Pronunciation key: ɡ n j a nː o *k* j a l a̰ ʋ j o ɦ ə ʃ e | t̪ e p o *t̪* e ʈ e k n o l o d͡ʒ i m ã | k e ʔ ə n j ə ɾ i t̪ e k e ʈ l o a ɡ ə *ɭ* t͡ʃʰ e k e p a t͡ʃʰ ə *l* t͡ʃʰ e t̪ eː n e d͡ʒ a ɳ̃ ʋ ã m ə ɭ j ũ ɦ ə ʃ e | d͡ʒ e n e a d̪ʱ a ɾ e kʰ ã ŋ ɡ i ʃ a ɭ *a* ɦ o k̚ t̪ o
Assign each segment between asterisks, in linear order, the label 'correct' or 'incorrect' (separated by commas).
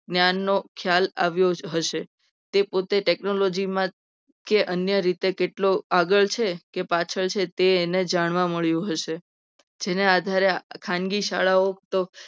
incorrect, correct, correct, incorrect, correct